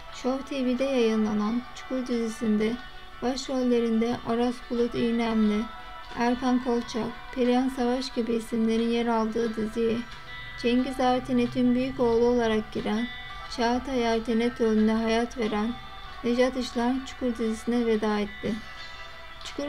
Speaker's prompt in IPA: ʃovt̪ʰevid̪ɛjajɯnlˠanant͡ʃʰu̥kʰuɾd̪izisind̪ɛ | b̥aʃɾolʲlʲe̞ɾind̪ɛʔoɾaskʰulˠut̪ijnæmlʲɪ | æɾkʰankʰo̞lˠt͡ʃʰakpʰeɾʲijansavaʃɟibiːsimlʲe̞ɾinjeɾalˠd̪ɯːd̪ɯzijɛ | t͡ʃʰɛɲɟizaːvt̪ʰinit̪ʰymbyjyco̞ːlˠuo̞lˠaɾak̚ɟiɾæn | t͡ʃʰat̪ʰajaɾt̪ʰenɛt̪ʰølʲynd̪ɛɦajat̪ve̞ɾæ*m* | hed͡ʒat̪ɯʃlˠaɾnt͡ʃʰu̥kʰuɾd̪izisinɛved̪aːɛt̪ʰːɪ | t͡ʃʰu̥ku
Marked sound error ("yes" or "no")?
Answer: yes